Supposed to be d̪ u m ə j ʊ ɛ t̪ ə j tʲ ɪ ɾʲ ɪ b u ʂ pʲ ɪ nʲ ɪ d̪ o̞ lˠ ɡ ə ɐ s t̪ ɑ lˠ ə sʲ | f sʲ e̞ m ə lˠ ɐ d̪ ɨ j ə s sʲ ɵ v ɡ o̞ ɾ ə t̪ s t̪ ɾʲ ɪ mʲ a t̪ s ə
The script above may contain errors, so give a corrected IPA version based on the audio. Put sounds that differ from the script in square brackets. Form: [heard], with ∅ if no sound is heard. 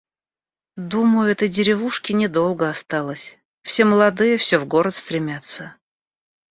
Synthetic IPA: d̪ u m ə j ʊ ɛ t̪ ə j [dʲ] ɪ ɾʲ ɪ [v] u ʂ [kʲ] ɪ nʲ ɪ d̪ o̞ lˠ ɡ ə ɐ s t̪ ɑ lˠ ə sʲ | f sʲ e̞ m ə lˠ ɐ d̪ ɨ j ə [f] sʲ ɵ v ɡ o̞ ɾ ə t̪ s t̪ ɾʲ ɪ mʲ a t̪ s ə